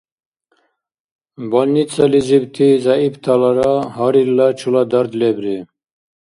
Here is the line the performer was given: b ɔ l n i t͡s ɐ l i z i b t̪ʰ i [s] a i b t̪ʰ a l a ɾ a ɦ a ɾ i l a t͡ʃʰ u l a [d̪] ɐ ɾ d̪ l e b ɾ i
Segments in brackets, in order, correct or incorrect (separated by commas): incorrect, correct